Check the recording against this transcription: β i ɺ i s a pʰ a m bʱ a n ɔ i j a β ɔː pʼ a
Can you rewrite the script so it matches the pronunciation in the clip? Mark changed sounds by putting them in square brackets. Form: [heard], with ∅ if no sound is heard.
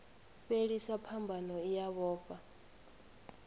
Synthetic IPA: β [e] ɺ i s a pʰ a m bʱ a n ɔ i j a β ɔː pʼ a

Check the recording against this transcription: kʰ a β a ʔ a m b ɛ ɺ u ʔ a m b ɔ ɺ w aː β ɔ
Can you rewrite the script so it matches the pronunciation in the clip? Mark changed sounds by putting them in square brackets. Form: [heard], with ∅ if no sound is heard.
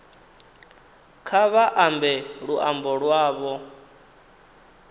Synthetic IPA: kʰ a β a ʔ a m b ɛ ɺ u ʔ a m b ɔ ɺ w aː β ɔ

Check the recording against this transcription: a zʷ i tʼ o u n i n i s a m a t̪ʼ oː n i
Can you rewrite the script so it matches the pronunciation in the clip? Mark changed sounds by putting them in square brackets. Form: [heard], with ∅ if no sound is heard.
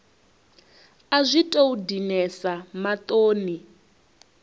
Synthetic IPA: a zʷ i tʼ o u [d] i n [ɛ] s a m a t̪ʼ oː n i

